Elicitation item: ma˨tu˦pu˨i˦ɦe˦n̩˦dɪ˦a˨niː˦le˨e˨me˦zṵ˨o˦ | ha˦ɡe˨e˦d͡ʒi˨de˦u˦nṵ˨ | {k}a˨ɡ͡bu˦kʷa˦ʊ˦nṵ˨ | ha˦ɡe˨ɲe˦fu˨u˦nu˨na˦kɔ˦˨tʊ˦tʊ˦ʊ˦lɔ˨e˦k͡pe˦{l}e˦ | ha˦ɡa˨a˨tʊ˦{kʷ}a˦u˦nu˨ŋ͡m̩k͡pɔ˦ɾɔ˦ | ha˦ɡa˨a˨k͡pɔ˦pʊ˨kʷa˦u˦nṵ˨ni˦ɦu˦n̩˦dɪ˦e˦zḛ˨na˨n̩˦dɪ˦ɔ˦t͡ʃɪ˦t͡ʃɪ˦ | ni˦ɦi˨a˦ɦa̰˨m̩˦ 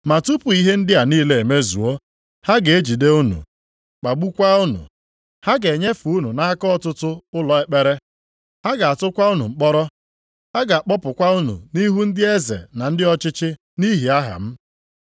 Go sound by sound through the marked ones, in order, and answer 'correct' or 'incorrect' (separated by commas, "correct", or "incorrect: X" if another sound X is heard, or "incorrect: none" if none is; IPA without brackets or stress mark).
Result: incorrect: k͡p, incorrect: ɾ, correct